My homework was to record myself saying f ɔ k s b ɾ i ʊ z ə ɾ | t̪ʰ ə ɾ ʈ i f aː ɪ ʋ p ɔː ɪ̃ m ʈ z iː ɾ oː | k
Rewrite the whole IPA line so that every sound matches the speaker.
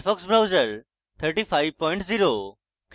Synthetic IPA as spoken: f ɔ k s b ɾ a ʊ z ə ɾ | t̪ʰ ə ɾ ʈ i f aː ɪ ʋ p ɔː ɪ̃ ɳ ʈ z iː ɾ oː | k

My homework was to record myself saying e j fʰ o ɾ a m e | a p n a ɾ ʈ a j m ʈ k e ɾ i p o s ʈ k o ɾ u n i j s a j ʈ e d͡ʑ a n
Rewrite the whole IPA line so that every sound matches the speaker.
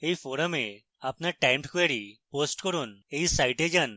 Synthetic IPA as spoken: e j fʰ o ɾ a m e | a p n a ɾ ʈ a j m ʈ k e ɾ i p o s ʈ k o ɾ u n e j s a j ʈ e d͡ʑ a n

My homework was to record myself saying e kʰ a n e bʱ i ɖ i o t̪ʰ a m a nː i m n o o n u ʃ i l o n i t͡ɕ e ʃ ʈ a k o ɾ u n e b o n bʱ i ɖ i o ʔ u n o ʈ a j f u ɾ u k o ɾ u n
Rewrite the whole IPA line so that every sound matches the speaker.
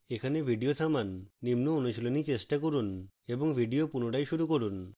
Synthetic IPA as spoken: e kʰ a n e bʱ i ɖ i o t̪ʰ a m a nː i m n o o n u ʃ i l o n i t͡ɕ e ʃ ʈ a k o ɾ u n e b o ŋ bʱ i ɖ i o p u n o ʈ a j ʃ u ɾ u k o ɾ u n

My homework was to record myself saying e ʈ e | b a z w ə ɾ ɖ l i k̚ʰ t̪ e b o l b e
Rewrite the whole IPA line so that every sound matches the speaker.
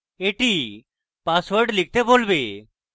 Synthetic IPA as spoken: e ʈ i | p a s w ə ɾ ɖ l i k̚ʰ t̪ e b o l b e

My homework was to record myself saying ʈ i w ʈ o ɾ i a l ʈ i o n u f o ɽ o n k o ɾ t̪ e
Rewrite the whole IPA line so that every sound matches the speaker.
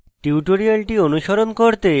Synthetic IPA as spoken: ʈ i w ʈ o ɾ i a l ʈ i o n u ʃ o ɾ o n k o ɾ t̪ e

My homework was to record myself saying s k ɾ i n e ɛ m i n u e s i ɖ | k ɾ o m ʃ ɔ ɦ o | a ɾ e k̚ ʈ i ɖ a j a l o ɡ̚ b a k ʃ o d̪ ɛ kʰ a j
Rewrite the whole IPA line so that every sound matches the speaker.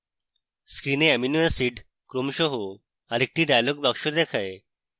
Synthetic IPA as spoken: s k ɾ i n e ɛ m i n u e s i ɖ | k ɾ o m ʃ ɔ ɦ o | a ɾ e k̚ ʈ i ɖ a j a l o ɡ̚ b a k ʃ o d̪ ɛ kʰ a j

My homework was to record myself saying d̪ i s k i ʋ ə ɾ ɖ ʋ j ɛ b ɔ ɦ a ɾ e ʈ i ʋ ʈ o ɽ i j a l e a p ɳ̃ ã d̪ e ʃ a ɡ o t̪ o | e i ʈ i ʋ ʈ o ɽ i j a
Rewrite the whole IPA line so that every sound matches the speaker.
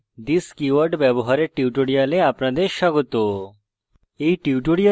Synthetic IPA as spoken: d̪ i s k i ʋ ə ɾ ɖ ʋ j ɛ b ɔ ɦ a ɾ e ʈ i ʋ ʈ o ɽ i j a l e a p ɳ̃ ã d̪ e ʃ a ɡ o t̪ o | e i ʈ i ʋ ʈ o ɽ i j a

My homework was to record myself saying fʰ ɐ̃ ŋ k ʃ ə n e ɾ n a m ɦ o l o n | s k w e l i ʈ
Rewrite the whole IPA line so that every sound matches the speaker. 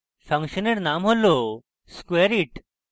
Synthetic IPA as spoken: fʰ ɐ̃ ŋ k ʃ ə n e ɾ n a m ɦ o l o | s k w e ɾ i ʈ

